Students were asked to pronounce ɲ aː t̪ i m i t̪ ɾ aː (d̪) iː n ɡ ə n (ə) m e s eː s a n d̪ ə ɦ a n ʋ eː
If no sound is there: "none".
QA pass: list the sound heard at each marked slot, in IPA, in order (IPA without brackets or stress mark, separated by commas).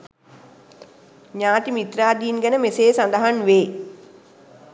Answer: d̪, ə